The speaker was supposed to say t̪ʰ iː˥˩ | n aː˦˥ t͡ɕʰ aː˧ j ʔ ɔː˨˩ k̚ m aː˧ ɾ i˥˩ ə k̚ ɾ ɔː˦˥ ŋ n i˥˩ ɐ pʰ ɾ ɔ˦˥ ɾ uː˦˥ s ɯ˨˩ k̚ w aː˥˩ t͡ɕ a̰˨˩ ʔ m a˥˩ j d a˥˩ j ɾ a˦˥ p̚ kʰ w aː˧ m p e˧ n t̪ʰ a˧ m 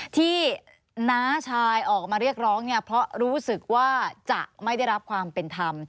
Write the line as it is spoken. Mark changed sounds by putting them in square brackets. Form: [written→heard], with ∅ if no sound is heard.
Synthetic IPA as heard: t̪ʰ iː˥˩ | n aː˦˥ t͡ɕʰ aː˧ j ʔ ɔː˨˩ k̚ m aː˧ ɾ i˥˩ ə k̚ ɾ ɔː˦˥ ŋ n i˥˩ ɐ pʰ ɾ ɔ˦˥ ɾ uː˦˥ s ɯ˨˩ k̚ w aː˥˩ t͡ɕ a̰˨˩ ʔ m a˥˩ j d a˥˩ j ɾ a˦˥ p̚ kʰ w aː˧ m p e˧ n t̪ʰ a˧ m